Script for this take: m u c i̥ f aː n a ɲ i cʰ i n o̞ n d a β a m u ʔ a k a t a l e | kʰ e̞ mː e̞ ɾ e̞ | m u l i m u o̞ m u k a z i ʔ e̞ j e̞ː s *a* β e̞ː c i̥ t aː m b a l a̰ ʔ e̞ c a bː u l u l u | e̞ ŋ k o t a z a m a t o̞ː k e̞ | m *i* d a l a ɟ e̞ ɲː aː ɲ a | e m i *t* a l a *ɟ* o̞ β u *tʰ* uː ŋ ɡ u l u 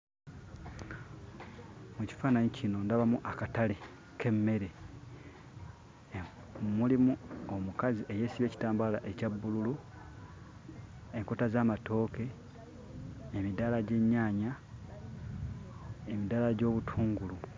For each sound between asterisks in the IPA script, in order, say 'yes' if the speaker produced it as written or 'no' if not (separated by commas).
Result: no, yes, no, yes, yes